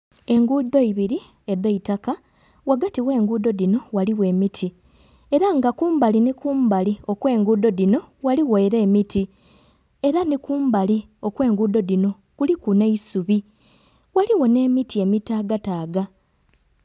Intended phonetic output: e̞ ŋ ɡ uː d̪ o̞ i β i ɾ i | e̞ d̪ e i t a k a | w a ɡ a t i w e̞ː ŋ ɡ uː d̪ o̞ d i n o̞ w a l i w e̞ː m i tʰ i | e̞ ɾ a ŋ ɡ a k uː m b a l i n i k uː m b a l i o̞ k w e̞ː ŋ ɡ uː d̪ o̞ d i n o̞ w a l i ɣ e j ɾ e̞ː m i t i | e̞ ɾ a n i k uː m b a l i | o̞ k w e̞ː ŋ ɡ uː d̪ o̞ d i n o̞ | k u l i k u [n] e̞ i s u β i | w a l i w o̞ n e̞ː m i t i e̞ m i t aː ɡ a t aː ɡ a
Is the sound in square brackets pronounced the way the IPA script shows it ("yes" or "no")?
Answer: yes